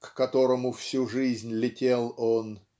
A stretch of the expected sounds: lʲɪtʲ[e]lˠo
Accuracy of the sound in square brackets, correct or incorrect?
correct